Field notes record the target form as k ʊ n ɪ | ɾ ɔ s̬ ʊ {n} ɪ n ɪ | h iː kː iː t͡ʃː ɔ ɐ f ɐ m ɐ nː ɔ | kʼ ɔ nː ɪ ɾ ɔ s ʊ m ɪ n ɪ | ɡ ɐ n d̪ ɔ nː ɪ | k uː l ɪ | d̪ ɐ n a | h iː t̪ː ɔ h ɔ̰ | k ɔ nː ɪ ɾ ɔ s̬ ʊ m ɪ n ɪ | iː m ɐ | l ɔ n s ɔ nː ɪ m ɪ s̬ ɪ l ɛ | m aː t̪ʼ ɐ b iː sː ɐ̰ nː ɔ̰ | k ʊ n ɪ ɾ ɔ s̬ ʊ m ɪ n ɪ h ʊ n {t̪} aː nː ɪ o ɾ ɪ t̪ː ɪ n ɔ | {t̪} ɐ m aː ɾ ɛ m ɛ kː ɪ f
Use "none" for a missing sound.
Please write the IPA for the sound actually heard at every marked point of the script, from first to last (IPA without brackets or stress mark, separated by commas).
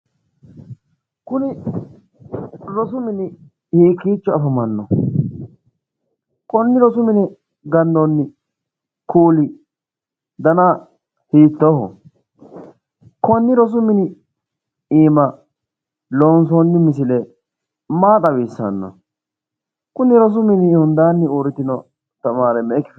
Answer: m, d̪, t̪